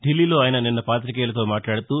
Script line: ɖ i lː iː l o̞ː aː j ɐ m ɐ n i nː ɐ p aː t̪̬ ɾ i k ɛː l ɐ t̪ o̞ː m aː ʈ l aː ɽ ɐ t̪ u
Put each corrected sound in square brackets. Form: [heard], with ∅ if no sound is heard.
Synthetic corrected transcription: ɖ i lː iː l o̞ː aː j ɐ [n] ɐ n i nː ɐ p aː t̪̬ ɾ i k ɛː l ɐ t̪ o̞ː m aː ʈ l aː ɽ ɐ t̪ u